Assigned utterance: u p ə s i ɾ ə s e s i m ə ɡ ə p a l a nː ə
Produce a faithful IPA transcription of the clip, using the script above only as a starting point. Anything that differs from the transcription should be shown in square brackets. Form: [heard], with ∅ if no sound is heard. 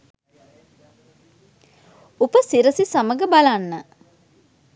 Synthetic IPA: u p ə s i ɾ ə s [i] s [a] m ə ɡ ə [b] a l a nː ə

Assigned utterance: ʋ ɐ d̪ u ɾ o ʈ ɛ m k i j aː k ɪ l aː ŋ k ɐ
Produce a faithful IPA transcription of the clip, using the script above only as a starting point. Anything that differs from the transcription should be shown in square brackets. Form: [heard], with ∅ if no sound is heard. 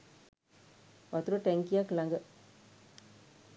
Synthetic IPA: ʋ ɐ [t̪] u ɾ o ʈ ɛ [ŋ] k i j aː k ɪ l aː ŋ [ɡ] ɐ

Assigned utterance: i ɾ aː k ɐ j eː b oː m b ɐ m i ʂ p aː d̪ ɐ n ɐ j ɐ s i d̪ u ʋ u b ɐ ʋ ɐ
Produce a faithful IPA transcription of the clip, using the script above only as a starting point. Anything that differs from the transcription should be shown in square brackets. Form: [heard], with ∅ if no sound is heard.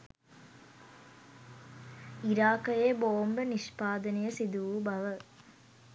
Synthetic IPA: i ɾ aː k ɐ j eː b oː m b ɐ [n] i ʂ p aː d̪ ɐ n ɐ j ɐ s i d̪ u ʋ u b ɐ ʋ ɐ

